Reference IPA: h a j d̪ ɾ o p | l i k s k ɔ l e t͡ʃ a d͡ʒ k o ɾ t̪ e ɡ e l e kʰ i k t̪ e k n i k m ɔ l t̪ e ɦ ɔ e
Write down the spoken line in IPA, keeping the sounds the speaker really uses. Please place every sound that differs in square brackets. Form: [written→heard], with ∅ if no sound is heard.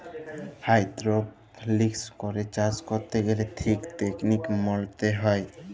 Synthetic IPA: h a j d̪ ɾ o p | l i k s k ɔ [l→ɾ] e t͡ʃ a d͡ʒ k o ɾ t̪ e ɡ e l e [kʰ→tʰ] i k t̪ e k n i k m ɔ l t̪ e ɦ ɔ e